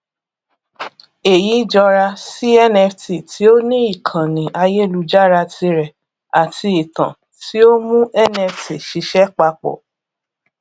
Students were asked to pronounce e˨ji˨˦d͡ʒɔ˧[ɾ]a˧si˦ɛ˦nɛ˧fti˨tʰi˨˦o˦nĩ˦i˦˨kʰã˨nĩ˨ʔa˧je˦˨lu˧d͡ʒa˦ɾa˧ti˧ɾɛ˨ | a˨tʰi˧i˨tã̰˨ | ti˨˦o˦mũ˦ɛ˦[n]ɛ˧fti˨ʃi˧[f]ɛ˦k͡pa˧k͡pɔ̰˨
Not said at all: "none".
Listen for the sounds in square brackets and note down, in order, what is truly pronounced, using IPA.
ɾ, n, ʃ

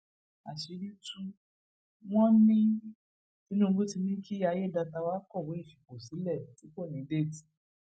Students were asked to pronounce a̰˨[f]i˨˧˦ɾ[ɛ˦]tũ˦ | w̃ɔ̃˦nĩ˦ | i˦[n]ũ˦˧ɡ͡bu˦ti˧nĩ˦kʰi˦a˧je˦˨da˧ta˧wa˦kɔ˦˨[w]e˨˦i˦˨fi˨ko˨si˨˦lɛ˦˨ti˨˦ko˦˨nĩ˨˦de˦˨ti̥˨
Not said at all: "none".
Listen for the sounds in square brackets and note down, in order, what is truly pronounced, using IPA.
ʃ, i˦, n, w

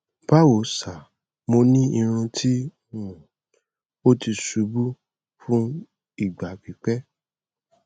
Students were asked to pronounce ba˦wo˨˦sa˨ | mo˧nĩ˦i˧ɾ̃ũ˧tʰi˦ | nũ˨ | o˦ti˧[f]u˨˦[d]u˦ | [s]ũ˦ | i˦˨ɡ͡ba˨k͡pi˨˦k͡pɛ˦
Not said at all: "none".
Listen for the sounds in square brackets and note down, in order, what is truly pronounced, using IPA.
s, b, f

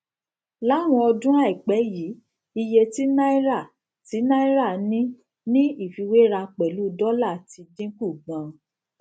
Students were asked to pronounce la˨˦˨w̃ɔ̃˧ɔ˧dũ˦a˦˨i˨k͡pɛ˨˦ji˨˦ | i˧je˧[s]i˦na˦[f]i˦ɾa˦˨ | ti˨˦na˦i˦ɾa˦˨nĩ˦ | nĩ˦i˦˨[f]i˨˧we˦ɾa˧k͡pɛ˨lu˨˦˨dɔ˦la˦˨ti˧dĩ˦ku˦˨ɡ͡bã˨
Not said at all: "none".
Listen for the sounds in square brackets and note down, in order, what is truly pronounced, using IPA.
t, none, f

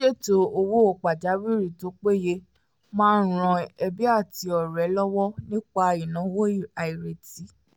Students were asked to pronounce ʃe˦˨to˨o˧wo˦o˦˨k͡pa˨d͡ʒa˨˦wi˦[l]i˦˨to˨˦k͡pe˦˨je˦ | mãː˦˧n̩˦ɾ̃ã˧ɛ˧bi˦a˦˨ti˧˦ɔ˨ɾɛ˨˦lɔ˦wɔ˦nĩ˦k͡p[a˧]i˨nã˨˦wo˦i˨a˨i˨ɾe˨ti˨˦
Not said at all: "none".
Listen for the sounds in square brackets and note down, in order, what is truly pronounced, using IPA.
ɾ, a˧

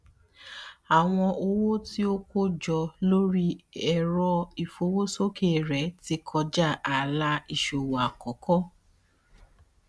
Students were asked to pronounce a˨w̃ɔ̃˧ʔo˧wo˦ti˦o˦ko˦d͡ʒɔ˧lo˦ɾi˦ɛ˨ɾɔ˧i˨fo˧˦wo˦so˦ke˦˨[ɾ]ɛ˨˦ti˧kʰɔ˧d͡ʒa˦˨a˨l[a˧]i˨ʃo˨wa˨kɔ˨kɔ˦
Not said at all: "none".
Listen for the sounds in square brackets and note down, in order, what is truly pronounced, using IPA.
ɾ, a˧

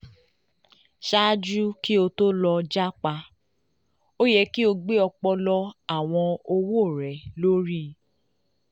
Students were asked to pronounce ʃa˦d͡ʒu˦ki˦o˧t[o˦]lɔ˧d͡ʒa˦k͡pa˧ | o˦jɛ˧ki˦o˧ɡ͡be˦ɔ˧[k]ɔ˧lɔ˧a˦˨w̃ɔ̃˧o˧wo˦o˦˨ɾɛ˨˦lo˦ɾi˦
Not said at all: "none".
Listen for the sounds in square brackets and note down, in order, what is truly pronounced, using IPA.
o˦, k͡p

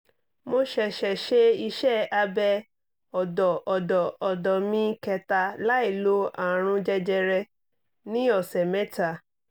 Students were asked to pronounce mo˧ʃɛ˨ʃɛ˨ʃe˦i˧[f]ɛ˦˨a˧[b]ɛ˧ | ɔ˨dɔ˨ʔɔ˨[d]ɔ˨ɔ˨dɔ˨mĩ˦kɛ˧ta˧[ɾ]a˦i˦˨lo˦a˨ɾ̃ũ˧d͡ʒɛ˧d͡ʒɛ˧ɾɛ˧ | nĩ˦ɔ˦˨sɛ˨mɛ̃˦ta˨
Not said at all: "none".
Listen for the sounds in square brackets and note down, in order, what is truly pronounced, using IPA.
ʃ, b, d, l

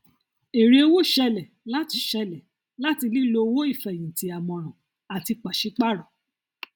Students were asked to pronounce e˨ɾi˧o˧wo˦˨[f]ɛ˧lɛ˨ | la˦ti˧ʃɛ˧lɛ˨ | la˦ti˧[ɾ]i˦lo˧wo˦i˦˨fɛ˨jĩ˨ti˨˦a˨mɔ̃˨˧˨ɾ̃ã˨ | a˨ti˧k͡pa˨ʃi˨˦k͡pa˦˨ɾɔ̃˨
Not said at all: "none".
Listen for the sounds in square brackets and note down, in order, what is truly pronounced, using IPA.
ʃ, l

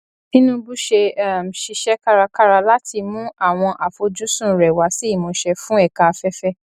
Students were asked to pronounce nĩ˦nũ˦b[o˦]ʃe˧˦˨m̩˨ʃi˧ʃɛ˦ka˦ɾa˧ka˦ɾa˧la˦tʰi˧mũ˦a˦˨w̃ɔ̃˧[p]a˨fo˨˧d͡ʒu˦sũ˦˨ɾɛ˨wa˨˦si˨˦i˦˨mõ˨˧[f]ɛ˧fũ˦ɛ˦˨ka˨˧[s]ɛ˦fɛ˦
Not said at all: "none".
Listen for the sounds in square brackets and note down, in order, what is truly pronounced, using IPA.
u˦, ʔ, ʃ, f

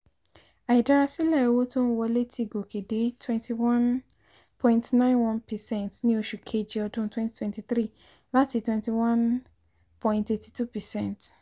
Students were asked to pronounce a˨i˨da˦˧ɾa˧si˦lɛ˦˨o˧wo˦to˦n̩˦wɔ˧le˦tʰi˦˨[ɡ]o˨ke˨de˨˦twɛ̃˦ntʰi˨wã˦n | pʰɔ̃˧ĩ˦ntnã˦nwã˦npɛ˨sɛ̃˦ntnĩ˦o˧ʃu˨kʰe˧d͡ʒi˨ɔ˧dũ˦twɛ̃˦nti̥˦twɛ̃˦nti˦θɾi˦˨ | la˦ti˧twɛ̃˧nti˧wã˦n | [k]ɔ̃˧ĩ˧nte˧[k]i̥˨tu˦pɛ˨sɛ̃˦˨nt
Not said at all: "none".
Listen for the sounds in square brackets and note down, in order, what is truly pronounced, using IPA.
ɡ, p, t

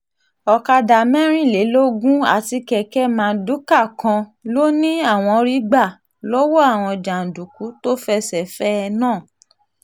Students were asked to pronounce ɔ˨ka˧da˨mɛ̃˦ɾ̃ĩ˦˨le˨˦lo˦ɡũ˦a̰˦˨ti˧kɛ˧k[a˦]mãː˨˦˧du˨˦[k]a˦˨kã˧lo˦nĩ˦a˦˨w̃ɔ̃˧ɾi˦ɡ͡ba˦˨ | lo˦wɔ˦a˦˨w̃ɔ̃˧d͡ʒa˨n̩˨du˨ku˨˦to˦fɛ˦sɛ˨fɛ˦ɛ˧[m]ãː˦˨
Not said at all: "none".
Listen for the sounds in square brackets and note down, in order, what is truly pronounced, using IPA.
ɛ˦, k, n

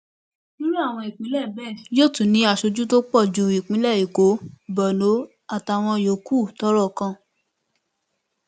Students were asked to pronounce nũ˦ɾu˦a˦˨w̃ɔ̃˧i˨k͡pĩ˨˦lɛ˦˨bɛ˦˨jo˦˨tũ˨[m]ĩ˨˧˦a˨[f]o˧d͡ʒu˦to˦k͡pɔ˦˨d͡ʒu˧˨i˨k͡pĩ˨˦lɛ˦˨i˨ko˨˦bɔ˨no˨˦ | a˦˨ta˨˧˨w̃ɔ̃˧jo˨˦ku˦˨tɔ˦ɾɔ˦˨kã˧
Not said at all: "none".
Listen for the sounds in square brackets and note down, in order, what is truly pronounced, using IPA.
n, ʃ

